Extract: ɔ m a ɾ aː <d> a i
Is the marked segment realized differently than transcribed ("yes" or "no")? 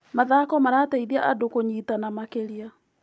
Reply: yes